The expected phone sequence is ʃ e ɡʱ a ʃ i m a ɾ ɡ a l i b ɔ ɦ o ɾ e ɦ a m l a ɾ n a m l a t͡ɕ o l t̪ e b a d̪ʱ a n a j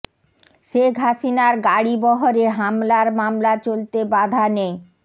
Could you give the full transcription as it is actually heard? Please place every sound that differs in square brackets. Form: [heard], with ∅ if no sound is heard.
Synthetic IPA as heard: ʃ e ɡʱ a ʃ i [n] a ɾ ɡ a [ɽ] i b ɔ ɦ o ɾ e ɦ a m l a ɾ [m] a m l a t͡ɕ o l t̪ e b a d̪ʱ a n [e] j